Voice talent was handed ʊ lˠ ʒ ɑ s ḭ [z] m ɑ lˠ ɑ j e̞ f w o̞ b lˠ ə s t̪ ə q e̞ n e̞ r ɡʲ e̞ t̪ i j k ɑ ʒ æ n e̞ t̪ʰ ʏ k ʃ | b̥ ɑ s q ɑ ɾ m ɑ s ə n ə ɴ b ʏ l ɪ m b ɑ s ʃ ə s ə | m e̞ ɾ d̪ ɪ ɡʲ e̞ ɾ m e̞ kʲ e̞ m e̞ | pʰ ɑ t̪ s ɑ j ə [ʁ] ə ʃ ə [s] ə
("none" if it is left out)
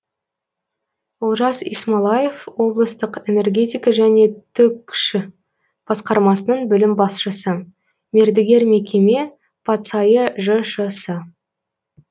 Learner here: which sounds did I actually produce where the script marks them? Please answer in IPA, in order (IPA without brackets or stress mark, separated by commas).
s, ʒ, s